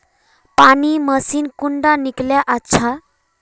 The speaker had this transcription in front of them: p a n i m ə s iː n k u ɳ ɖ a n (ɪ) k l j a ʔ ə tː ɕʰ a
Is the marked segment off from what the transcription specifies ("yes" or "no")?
yes